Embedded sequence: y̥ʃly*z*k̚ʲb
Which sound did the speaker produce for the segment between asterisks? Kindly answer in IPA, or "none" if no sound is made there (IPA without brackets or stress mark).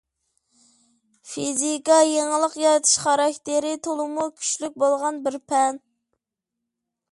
none